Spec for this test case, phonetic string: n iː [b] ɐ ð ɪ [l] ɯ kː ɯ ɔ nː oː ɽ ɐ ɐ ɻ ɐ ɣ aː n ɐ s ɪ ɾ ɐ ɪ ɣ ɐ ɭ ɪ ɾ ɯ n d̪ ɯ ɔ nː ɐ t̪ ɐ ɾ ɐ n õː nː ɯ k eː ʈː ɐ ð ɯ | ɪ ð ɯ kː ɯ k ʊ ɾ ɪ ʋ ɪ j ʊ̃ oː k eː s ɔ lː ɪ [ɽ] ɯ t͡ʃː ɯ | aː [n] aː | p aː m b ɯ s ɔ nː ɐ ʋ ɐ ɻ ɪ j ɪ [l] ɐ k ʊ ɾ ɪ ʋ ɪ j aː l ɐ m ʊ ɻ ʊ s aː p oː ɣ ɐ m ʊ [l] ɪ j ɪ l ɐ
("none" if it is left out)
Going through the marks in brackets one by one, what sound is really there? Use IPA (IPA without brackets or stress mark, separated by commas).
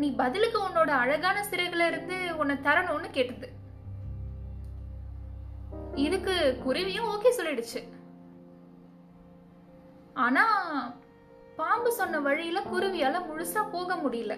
b, l, ɽ, n, l, ɽ